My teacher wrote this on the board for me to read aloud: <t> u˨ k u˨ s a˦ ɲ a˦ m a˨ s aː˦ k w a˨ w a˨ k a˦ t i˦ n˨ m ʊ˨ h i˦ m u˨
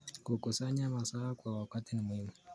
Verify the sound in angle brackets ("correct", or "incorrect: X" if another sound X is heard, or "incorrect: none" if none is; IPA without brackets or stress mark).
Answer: incorrect: k